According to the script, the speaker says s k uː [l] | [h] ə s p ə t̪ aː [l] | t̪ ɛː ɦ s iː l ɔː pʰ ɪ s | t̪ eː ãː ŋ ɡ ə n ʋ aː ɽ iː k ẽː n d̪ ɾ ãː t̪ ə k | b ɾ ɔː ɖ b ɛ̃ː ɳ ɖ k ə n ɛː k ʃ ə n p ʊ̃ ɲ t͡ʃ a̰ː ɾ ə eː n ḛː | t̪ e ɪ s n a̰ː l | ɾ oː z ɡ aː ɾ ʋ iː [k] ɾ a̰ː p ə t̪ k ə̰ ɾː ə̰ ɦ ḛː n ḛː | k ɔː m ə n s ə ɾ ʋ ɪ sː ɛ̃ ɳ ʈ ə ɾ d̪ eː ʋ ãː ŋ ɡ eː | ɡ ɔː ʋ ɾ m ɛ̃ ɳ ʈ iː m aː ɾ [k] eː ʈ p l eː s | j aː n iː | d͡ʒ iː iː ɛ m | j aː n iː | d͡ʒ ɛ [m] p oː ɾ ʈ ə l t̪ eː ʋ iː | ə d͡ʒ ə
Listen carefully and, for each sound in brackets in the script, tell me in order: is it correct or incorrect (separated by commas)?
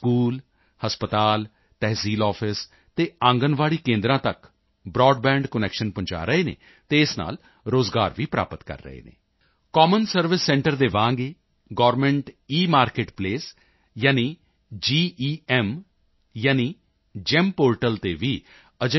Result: correct, correct, correct, incorrect, correct, correct